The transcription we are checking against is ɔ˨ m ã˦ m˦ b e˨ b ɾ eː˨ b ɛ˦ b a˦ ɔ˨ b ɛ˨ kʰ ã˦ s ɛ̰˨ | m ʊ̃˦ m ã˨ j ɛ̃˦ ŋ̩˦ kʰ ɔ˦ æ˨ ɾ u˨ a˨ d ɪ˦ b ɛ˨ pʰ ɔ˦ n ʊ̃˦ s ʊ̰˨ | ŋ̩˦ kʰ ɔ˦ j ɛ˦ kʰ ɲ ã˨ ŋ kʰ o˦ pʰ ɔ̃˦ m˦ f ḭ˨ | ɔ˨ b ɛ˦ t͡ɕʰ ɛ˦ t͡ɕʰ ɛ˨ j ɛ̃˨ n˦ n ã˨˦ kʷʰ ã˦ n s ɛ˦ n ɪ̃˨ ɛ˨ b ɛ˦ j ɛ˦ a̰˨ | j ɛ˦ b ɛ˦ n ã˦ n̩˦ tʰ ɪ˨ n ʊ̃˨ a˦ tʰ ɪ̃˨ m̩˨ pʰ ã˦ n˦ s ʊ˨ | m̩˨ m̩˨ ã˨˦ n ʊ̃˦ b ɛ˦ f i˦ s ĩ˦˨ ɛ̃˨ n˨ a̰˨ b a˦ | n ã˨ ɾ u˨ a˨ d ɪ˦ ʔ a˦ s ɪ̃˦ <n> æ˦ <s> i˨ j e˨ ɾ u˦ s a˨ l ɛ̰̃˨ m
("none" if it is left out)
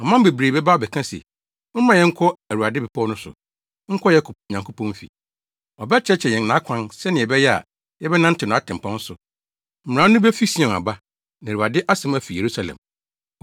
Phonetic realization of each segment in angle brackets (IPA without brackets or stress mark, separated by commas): m, f